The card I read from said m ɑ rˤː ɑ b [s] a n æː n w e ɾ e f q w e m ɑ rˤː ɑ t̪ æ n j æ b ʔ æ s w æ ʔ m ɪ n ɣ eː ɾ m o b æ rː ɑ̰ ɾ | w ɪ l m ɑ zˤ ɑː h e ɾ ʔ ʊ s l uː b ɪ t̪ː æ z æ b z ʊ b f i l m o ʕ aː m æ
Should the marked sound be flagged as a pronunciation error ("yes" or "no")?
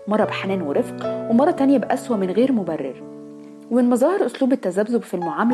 yes